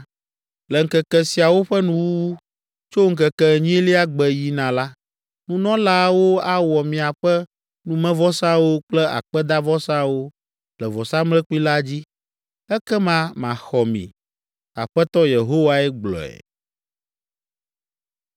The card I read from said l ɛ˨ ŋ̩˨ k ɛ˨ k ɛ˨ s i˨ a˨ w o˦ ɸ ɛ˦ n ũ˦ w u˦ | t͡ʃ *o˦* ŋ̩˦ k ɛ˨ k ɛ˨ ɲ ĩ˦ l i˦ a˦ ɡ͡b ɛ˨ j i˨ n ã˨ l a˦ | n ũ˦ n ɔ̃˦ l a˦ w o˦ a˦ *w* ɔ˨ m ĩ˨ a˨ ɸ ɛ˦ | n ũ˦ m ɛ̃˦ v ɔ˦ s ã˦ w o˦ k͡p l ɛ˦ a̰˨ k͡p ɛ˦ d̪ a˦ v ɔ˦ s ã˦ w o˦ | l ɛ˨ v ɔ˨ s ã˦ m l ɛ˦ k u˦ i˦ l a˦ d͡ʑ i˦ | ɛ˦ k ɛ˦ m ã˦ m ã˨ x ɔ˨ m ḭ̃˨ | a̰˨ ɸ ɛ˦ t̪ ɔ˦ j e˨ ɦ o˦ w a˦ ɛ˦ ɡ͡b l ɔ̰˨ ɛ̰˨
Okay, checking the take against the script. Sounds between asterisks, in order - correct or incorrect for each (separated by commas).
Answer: correct, correct